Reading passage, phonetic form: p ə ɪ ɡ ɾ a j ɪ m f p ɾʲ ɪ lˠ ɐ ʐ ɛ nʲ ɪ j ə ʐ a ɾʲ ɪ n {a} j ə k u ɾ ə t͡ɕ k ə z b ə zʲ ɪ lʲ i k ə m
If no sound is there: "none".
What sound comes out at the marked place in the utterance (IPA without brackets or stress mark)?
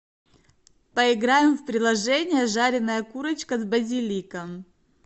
ə